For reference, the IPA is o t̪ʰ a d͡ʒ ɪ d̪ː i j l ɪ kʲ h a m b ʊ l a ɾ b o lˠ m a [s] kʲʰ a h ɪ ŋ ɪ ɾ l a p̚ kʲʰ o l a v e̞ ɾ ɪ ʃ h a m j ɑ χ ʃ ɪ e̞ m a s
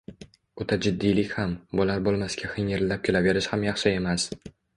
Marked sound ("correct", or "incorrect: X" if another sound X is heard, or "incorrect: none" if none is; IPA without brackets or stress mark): correct